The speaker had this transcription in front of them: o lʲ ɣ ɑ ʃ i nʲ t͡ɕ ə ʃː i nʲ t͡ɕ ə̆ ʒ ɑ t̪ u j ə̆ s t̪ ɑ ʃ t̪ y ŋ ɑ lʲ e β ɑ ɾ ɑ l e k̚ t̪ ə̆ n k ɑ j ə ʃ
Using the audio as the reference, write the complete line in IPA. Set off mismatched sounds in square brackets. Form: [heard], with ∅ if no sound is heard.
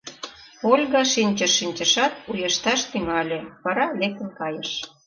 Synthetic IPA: o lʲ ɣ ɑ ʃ i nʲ t͡ɕ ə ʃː i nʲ t͡ɕ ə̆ [ʃ] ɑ t̪ u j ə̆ [ʃ] t̪ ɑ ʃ t̪ y ŋ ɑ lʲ e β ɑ ɾ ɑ l e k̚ t̪ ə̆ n k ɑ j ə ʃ